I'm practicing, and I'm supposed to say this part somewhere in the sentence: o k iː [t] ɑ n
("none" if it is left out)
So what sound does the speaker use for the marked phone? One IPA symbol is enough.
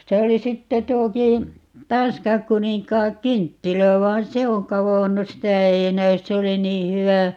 t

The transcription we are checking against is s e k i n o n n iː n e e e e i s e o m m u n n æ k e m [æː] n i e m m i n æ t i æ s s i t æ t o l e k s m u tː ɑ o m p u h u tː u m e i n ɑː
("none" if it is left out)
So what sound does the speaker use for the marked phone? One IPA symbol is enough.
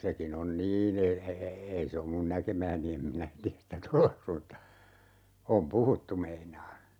æː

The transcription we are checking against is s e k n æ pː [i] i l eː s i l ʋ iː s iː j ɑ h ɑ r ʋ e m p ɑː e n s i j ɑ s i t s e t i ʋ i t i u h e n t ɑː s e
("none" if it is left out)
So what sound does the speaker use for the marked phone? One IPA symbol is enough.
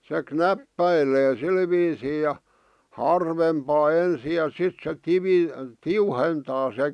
æ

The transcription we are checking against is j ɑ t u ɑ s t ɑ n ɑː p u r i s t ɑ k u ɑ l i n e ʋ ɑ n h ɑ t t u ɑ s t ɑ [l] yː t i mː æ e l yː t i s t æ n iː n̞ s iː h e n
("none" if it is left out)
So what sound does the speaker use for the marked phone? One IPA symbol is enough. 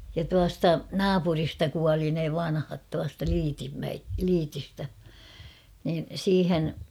l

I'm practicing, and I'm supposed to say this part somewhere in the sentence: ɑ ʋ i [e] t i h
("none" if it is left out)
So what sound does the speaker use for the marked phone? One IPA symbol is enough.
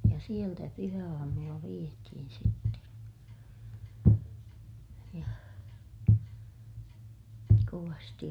e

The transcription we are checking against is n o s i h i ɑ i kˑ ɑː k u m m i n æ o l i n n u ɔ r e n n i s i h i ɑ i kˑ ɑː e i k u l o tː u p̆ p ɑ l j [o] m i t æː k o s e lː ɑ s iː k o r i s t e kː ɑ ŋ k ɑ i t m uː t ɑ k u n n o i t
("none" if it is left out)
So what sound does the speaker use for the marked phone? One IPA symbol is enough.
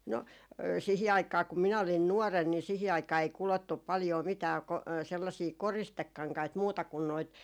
oː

